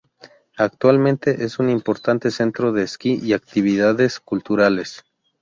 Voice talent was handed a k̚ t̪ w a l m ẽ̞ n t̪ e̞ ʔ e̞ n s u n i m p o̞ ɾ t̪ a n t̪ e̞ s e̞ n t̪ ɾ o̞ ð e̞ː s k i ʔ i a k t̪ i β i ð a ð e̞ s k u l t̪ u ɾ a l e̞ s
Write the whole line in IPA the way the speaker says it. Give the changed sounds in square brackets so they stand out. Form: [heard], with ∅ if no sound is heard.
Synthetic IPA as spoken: a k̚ t̪ w a l m ẽ̞ n t̪ e̞ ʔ e̞ [∅] s u n i m p o̞ ɾ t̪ a n t̪ e̞ s e̞ n t̪ ɾ o̞ ð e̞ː s k i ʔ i a k t̪ i β i ð a ð e̞ s k u l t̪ u ɾ a l e̞ s